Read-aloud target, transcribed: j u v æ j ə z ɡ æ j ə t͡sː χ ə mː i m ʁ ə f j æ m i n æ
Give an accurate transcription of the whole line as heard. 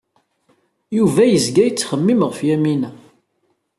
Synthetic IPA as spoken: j u v æ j ə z ɡ æ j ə t͡sː χ ə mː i m ʁ ə f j æ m i n æ